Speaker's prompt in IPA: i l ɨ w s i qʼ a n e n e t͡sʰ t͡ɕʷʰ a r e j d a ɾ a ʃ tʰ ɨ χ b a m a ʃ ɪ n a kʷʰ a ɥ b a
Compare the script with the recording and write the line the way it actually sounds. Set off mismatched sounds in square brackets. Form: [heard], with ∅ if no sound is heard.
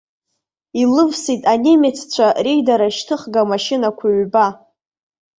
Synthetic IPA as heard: i l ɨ [v] s i [tʼ] a n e [m] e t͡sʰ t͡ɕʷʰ a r e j d a ɾ a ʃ tʰ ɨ χ [ɡ] a m a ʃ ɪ n a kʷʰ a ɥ b a